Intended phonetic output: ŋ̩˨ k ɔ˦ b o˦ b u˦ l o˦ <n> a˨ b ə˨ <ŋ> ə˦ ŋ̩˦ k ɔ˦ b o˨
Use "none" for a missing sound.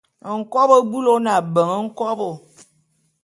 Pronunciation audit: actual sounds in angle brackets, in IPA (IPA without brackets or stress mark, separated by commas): n, ŋ